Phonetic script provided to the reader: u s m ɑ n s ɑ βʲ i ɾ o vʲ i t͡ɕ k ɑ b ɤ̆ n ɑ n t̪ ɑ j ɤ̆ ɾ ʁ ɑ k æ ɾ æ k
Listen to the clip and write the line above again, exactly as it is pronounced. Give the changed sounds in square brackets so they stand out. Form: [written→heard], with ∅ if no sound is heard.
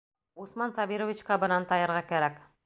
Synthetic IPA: u s m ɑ n s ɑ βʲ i ɾ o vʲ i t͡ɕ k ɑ b ɤ̆ n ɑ n t̪ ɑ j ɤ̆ ɾ ʁ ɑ k æ ɾ æ k